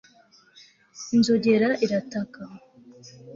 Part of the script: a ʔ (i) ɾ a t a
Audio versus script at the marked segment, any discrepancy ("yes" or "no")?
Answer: no